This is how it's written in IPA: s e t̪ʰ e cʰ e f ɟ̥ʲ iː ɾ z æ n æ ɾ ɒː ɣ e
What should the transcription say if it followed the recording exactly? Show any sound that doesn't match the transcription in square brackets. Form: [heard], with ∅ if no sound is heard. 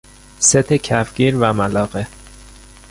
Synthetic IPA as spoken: s e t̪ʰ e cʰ [æ] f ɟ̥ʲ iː ɾ [v] æ [m] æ [l] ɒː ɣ e